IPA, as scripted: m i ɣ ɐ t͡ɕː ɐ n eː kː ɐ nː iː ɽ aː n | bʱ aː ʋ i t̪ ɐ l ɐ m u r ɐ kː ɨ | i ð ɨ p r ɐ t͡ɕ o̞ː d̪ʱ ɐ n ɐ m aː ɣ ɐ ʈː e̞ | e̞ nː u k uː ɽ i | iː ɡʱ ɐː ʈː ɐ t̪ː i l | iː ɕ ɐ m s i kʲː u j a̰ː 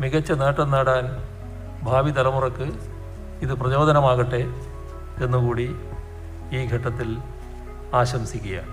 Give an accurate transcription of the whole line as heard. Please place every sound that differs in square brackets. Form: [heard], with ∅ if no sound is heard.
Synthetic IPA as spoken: m i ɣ ɐ t͡ɕː ɐ n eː [ʈː] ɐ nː [aː] ɽ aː n | bʱ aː ʋ i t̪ ɐ l ɐ m u r ɐ kː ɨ | i ð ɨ p r ɐ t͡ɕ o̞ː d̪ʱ ɐ n ɐ m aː ɣ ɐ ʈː e̞ | e̞ nː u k uː ɽ i | iː ɡʱ [ɐ] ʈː ɐ t̪ː i l | [aː] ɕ ɐ m s i kʲː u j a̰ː